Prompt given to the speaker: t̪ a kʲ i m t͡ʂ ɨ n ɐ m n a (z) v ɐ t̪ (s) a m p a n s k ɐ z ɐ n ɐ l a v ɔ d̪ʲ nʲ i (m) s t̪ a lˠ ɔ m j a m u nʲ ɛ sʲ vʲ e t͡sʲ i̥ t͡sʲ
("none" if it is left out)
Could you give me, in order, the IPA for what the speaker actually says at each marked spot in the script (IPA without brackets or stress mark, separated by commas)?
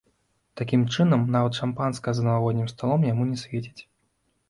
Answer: none, ʂ, m